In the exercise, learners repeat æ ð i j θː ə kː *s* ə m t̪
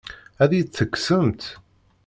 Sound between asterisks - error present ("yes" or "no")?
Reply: no